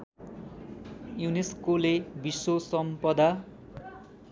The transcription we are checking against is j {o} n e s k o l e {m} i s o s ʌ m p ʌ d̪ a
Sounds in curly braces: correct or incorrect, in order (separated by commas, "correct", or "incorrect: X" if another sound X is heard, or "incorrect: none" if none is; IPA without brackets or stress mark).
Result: incorrect: u, incorrect: b